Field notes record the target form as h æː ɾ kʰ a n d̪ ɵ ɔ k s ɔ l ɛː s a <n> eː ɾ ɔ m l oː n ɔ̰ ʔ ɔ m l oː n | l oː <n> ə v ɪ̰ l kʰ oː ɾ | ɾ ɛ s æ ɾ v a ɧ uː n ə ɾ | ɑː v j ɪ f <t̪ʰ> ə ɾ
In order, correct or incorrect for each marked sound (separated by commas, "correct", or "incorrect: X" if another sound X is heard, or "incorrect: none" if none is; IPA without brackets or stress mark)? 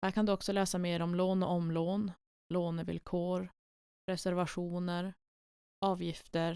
incorrect: m, correct, incorrect: t̪